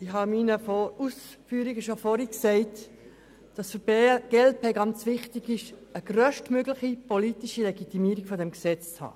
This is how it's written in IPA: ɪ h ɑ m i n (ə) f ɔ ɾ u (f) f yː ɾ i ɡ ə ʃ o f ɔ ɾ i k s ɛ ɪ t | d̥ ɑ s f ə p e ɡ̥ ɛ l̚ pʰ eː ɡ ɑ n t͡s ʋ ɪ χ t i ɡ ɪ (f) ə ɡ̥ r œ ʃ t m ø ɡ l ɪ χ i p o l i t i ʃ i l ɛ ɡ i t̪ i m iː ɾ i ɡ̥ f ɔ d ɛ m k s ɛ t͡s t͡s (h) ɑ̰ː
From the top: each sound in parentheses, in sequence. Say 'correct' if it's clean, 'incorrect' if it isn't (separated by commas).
correct, incorrect, incorrect, correct